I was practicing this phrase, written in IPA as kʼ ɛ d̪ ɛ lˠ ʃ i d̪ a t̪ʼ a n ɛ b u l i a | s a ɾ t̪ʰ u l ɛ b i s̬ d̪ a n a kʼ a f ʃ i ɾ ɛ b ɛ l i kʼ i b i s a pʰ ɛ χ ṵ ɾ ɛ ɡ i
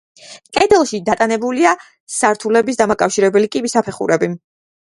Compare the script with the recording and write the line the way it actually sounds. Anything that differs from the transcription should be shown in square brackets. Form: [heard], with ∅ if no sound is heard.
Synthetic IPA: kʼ ɛ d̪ ɛ lˠ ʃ i d̪ a t̪ʼ a n ɛ b u l i a | s a ɾ t̪ʰ u l ɛ b i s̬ d̪ a [m] a kʼ a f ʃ i ɾ ɛ b ɛ l i kʼ i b i s a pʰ ɛ χ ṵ ɾ ɛ [b] i